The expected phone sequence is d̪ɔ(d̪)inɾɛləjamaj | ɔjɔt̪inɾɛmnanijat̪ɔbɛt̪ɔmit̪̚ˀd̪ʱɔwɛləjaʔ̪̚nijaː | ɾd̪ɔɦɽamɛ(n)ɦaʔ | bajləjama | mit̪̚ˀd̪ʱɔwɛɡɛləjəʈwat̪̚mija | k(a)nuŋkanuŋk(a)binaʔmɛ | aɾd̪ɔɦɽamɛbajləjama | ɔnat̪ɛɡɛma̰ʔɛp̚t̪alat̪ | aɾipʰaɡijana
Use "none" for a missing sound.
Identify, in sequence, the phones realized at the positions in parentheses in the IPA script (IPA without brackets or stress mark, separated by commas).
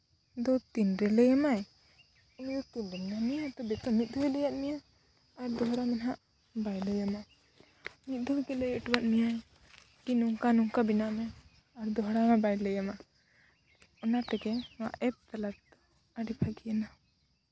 t̪, n, i, a